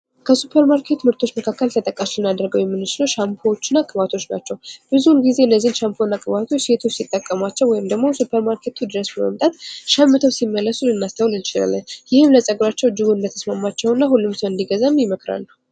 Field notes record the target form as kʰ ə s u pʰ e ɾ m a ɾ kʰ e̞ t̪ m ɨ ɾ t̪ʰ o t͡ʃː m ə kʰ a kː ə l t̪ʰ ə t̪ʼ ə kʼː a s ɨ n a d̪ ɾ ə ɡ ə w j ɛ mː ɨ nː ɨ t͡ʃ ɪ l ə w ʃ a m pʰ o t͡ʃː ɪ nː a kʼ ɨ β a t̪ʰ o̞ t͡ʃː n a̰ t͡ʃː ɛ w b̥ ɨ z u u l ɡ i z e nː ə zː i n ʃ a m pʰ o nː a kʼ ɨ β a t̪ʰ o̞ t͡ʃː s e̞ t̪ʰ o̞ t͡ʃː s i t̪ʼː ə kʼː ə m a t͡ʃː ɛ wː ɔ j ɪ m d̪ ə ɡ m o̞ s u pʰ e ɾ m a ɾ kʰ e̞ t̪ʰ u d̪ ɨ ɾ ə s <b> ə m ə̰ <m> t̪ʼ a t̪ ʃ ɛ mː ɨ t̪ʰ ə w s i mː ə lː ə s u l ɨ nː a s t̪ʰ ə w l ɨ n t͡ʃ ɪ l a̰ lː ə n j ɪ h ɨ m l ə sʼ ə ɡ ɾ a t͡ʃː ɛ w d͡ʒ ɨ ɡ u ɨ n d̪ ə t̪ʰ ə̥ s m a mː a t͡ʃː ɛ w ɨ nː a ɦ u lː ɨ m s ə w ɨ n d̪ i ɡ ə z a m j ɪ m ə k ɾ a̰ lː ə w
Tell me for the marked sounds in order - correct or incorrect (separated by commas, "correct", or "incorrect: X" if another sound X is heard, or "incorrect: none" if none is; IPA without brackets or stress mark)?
correct, correct